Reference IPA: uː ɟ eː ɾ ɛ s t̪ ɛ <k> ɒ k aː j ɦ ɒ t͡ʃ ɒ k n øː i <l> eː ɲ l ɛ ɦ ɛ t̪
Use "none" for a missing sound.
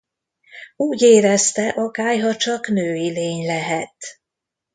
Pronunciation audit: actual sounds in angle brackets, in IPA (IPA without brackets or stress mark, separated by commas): ʔ, l